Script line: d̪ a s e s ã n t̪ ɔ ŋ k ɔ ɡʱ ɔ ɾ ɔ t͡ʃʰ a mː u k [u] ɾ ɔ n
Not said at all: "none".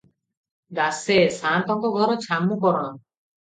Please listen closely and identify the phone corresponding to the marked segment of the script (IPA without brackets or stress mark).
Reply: ɔ